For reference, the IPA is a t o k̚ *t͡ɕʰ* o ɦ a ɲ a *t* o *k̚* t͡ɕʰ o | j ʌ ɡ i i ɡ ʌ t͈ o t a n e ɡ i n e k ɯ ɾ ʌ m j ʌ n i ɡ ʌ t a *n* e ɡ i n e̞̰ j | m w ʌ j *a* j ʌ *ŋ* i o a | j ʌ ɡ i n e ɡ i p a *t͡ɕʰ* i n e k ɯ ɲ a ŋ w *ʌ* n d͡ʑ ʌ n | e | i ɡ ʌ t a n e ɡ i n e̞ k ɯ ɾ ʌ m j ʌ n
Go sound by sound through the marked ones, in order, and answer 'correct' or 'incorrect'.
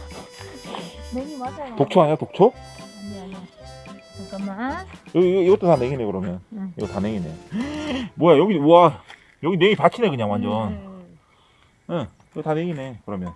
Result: correct, correct, correct, correct, correct, incorrect, correct, incorrect

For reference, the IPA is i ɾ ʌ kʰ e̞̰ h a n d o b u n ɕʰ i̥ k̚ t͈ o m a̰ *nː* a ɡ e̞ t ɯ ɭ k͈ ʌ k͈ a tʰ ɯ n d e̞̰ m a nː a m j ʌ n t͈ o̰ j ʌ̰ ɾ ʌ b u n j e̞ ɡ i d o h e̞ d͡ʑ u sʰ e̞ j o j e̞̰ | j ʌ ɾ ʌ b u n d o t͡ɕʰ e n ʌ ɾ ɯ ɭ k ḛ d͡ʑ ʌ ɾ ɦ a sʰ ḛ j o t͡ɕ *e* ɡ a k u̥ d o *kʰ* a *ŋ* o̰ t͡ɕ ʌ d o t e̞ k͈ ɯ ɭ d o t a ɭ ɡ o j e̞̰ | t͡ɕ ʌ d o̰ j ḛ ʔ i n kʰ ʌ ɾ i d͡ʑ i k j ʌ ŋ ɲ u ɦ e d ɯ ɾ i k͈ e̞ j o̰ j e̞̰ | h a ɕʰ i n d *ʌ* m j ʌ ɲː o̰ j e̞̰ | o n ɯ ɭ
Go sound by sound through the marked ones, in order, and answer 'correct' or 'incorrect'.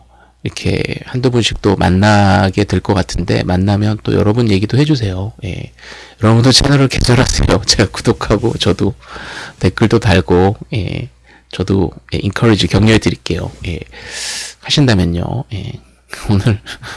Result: correct, correct, correct, incorrect, incorrect

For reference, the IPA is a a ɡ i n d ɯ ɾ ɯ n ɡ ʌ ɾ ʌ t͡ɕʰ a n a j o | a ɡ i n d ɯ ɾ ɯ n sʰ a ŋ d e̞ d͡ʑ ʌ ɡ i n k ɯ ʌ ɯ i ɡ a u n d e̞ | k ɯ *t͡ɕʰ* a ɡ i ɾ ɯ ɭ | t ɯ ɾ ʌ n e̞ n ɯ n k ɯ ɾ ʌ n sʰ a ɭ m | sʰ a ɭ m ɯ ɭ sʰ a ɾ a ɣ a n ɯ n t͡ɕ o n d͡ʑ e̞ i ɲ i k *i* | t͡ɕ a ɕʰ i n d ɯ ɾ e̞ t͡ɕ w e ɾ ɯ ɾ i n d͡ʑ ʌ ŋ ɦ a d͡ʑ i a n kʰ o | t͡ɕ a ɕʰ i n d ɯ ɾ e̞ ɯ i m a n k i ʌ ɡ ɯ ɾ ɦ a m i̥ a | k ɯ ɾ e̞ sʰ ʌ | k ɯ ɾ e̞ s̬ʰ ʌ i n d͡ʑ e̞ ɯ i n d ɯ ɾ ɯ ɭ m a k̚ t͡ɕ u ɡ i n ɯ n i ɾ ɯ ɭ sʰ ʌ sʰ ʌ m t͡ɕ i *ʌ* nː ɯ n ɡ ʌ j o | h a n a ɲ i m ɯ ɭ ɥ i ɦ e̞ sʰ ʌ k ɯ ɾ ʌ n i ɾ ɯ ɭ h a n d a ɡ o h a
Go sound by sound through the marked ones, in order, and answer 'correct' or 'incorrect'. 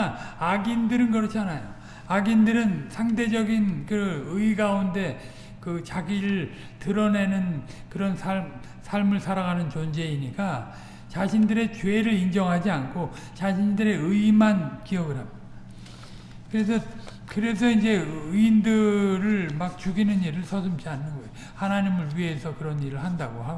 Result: incorrect, incorrect, incorrect

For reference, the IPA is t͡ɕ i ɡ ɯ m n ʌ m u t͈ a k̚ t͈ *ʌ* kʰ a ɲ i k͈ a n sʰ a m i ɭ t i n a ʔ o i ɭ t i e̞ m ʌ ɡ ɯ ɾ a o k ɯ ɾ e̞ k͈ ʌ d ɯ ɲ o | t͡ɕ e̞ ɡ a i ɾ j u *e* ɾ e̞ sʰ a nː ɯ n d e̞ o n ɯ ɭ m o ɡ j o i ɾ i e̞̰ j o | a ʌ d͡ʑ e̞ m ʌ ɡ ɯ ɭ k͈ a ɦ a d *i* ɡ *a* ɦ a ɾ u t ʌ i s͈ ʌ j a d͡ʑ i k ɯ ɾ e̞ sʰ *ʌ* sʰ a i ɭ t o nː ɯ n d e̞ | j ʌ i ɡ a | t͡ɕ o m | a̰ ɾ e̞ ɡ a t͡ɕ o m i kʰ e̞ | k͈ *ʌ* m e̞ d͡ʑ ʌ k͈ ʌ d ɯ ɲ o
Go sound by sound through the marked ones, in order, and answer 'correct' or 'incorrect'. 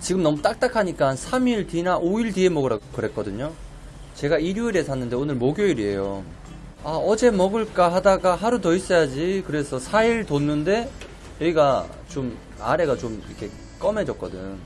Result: incorrect, incorrect, incorrect, correct, correct, correct

